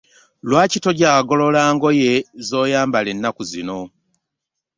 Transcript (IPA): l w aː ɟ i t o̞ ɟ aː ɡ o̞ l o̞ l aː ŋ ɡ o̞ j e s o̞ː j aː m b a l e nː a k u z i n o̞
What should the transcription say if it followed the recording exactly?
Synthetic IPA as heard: l w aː c i t o̞ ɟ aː ɡ o̞ l o̞ l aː ŋ ɡ o̞ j e z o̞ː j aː m b a l e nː a k u z i n o̞